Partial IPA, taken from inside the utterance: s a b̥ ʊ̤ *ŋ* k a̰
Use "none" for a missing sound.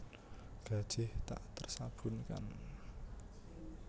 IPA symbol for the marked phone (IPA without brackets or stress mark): n